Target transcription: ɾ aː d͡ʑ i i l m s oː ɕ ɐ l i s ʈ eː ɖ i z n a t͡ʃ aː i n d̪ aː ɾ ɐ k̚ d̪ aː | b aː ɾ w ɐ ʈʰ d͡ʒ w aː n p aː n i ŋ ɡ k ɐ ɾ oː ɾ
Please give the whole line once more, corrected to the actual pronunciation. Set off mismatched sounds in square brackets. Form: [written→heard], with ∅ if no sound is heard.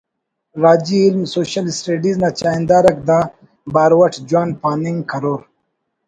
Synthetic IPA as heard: ɾ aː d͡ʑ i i l m s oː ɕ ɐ l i s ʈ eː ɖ i z n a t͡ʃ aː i n d̪ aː ɾ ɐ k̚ d̪ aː | b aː ɾ w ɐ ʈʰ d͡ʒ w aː n p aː n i ŋ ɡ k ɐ ɾ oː ɾ